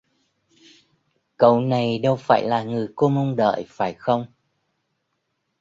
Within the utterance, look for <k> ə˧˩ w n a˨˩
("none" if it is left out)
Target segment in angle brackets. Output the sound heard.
k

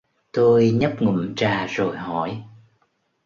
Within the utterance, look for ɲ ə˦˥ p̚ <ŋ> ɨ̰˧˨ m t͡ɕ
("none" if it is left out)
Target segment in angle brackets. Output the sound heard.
ŋ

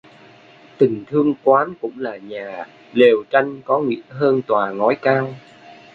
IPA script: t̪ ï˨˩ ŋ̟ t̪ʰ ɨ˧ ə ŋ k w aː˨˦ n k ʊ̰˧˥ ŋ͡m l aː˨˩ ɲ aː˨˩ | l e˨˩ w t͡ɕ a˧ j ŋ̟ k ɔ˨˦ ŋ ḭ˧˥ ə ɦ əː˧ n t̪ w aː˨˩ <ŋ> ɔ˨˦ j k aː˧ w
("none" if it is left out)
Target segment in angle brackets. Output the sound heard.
ŋ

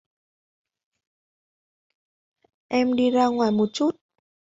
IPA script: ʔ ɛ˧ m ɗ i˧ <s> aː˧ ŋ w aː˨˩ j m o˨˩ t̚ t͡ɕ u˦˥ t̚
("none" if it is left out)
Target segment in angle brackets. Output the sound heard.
z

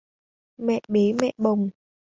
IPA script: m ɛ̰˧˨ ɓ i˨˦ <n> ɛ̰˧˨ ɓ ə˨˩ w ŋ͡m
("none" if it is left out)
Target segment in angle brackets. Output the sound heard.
m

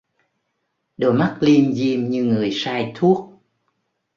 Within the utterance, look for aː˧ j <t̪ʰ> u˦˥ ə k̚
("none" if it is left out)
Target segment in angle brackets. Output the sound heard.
t̪ʰ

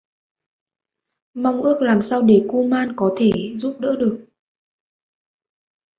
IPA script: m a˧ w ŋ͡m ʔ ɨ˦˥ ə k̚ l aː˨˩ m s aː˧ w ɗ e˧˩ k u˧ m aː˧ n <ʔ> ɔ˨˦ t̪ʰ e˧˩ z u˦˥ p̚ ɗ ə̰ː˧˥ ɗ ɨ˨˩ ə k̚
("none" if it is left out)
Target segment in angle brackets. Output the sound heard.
k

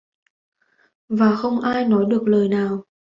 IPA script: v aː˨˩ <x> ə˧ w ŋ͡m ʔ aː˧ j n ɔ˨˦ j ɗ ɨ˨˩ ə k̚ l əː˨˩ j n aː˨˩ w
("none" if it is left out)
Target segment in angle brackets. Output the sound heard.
x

